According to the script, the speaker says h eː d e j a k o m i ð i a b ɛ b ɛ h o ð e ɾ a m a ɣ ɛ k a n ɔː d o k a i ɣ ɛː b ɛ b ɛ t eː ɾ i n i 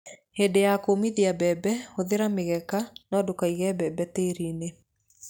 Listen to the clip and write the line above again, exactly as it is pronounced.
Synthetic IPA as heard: h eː d e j a k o m i ð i a b ɛ b ɛ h o ð e ɾ a m e ɣ ɛ k a n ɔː d o k a i ɣ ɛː b ɛ b ɛ t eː ɾ i n e